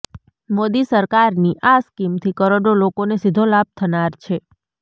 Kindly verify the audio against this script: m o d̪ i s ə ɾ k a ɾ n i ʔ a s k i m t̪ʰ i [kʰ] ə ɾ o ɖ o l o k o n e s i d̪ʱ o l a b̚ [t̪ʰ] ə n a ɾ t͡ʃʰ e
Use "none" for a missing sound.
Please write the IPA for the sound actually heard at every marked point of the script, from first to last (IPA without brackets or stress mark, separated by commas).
k, t̪ʰ